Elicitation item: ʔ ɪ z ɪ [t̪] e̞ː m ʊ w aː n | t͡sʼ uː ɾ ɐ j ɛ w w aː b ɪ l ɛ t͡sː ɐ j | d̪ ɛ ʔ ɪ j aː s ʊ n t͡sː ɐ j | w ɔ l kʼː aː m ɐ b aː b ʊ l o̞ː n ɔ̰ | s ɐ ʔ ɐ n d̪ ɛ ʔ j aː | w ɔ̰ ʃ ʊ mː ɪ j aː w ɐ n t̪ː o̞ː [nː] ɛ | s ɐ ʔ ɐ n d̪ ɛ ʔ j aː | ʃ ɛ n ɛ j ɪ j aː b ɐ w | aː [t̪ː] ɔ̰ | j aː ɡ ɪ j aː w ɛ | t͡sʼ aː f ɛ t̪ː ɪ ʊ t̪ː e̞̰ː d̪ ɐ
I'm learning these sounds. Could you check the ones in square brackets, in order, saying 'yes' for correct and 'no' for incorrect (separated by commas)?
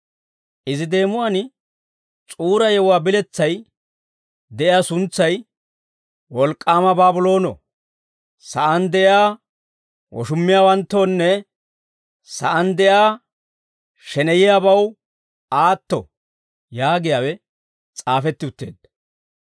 no, yes, yes